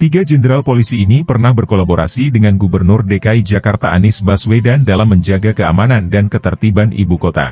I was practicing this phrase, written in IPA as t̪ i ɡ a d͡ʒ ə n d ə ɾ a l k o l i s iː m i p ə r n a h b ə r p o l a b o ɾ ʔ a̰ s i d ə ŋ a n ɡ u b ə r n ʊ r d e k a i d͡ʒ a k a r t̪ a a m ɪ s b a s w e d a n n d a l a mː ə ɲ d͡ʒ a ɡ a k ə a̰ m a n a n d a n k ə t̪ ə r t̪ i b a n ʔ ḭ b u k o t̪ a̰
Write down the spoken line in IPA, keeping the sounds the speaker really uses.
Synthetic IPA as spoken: t̪ i ɡ a d͡ʒ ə n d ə ɾ a l p o l i s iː n i p ə r n a h b ə r k o l a b o ɾ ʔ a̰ s i d ə ŋ a n ɡ u b ə r n ʊ r d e k a i d͡ʒ a k a r t̪ a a n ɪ s b a s w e d a n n d a l a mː ə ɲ d͡ʒ a ɡ a k ə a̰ m a n a n d a n k ə t̪ ə r t̪ i b a n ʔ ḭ b u k o t̪ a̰